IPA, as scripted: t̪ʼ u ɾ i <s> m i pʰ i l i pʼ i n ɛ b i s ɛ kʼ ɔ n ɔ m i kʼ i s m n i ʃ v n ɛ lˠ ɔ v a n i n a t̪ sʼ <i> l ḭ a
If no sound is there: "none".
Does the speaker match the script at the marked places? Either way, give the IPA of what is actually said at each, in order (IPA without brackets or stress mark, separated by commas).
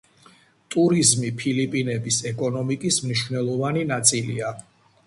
z, i